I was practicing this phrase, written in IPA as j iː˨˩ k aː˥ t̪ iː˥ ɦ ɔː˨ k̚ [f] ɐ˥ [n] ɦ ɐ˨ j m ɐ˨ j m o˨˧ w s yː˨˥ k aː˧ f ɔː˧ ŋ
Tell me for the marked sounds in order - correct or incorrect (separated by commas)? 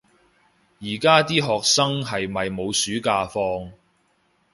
incorrect, incorrect